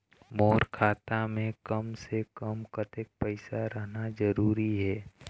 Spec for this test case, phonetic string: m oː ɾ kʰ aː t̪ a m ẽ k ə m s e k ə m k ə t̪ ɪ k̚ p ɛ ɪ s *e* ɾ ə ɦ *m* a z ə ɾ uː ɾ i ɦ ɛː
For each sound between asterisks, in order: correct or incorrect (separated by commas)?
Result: incorrect, incorrect